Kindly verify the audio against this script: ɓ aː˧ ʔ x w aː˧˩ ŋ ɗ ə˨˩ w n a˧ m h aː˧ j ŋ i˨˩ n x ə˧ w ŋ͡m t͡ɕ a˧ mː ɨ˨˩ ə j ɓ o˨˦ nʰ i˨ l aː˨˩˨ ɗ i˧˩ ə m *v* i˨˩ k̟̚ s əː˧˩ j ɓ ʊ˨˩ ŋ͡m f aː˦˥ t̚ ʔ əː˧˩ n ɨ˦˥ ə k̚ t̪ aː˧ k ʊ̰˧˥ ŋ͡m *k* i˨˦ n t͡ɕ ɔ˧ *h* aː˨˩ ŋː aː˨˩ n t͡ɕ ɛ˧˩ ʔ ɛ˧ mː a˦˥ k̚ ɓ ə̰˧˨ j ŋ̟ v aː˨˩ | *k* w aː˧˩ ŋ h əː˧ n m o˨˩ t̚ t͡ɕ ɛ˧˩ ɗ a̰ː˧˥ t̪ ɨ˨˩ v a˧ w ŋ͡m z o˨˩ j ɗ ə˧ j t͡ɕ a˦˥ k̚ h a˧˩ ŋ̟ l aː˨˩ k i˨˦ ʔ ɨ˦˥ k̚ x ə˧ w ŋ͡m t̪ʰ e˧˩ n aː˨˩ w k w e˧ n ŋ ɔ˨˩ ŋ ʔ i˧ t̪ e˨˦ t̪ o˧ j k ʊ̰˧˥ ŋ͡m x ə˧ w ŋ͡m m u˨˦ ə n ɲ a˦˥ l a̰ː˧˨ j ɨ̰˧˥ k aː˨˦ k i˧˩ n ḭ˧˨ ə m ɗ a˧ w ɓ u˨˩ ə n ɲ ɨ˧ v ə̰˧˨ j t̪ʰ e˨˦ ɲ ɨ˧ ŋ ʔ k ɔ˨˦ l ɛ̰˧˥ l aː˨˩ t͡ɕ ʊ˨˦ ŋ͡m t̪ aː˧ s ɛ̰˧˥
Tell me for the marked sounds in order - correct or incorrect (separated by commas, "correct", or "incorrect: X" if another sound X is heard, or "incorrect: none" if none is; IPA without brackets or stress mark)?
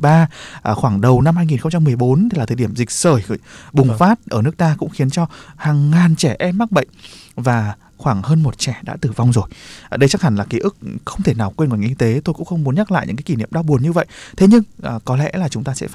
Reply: incorrect: z, incorrect: x, correct, incorrect: x